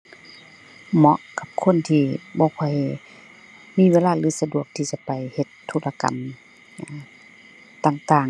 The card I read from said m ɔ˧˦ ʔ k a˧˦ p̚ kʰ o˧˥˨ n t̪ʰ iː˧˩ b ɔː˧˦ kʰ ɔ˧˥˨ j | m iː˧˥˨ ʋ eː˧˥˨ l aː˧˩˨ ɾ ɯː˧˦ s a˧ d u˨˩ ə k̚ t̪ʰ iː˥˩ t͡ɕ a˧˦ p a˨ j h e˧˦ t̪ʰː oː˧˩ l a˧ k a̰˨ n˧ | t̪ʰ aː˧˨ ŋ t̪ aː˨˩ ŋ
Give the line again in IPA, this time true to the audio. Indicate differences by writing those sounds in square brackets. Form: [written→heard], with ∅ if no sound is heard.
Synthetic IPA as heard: m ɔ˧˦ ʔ k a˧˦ p̚ kʰ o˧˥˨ n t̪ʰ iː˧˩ b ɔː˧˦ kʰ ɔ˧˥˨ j | m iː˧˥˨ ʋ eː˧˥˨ l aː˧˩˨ [ɾ→l] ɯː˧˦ s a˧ d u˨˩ ə k̚ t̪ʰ [iː˥˩→iː˧˩] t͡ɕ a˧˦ p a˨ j h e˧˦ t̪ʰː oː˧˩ l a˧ k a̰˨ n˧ | [t̪ʰ→t̪] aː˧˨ ŋ t̪ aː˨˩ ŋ